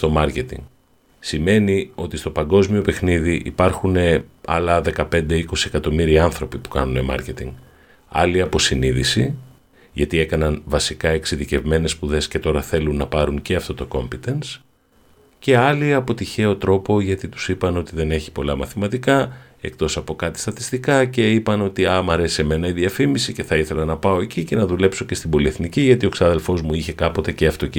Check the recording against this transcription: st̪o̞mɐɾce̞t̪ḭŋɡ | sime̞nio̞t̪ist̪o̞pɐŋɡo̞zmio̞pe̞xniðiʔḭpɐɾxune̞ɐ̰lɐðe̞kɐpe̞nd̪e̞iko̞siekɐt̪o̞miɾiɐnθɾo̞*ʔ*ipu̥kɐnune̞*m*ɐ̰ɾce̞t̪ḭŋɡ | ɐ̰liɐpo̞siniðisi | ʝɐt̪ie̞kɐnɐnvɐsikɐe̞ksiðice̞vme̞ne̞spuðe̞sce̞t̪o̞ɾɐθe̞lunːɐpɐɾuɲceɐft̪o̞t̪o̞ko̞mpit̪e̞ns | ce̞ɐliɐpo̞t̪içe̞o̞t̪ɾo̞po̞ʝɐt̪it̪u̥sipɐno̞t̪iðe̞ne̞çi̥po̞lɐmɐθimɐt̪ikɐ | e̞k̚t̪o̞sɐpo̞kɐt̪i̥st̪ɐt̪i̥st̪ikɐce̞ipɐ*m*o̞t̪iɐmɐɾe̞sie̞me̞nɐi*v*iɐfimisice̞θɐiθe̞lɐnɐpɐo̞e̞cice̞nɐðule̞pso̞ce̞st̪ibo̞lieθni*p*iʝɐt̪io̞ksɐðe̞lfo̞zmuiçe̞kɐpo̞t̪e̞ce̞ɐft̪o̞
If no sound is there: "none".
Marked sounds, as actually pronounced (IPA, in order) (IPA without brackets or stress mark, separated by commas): p, m, n, ð, c